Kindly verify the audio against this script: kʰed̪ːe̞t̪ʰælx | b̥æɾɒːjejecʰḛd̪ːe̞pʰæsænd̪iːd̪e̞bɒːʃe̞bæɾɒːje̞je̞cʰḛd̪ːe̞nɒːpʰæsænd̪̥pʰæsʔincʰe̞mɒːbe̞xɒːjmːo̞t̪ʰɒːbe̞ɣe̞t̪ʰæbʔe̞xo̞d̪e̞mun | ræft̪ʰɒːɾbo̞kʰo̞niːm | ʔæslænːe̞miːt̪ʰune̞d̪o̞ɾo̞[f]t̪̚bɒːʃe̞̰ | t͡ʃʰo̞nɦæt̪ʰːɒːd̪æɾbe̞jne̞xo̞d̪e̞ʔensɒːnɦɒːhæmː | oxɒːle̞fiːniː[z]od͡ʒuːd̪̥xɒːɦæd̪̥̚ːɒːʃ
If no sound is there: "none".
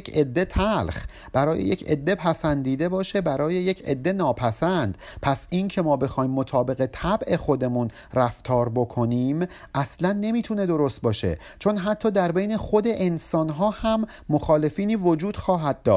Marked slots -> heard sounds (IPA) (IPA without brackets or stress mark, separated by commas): s, v